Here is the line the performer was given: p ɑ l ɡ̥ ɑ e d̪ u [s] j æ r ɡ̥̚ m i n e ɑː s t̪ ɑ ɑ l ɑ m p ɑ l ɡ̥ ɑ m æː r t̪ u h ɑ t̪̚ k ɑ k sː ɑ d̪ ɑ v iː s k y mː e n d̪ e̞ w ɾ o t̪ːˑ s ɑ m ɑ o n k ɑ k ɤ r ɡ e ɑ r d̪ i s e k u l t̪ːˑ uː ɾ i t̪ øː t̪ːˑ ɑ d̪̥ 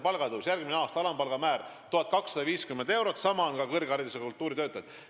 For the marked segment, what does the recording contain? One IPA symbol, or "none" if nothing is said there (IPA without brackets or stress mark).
s